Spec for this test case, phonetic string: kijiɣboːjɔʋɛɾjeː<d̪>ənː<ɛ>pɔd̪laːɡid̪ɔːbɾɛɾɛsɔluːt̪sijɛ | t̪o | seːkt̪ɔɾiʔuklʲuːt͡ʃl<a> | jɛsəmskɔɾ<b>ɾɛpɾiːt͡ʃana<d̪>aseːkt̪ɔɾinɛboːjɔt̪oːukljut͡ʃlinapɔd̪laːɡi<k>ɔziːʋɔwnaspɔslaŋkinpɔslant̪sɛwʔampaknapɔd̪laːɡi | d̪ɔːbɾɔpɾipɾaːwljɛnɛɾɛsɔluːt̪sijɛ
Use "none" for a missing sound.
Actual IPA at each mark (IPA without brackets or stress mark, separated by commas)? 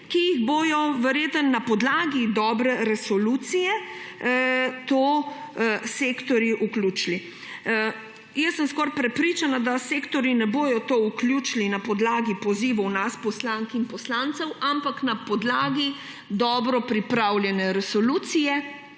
t̪, a, i, p, d̪, p